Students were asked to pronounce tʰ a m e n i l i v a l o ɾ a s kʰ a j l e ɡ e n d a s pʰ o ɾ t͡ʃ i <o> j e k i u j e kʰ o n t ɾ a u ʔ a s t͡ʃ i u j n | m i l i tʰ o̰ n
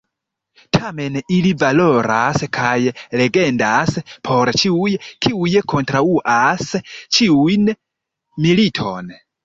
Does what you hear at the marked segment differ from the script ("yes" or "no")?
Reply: yes